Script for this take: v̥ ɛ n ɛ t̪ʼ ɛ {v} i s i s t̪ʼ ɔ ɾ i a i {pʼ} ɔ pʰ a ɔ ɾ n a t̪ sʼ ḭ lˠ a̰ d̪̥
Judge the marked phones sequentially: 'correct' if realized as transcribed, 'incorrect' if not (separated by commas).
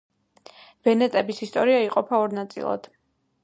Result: incorrect, incorrect